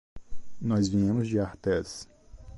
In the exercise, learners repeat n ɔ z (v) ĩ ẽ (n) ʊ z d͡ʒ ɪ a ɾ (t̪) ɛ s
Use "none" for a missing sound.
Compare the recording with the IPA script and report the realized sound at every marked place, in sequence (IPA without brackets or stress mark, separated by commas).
v, m, t̪